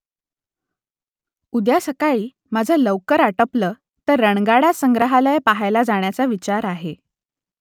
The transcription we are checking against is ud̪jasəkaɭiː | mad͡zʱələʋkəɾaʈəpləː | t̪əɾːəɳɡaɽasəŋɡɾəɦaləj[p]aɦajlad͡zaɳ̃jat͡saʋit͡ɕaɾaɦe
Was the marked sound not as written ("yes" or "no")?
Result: no